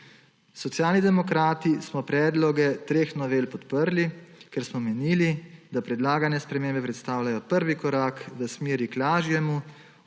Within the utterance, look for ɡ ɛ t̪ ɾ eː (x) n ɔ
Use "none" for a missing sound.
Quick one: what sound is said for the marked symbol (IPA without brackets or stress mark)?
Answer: x